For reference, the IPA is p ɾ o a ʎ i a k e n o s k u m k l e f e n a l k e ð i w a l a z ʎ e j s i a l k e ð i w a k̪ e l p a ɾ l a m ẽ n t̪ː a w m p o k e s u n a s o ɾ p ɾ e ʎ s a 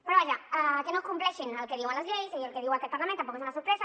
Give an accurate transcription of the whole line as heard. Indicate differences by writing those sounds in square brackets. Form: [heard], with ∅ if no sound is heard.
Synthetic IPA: p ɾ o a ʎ [a] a k e n o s k u m [p] l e [ʃ] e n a l k e ð i w a l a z ʎ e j s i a l k e ð i w a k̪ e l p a ɾ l a m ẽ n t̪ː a [∅] m p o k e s u n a s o ɾ p ɾ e [∅] s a